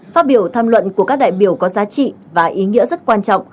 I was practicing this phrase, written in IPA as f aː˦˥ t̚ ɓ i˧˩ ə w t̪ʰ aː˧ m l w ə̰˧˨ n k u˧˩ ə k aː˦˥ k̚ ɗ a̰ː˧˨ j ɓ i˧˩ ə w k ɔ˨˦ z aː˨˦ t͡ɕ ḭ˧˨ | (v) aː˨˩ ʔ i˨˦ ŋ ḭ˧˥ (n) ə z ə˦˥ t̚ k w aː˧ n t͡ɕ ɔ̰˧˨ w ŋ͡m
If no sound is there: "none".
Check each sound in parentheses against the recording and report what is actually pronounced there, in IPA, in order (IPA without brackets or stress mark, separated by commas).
v, none